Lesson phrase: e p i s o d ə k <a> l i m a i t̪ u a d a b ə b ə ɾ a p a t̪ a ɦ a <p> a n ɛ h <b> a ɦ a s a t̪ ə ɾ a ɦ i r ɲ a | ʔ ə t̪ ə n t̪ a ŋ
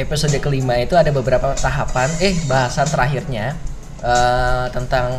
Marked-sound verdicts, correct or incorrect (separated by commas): incorrect, correct, correct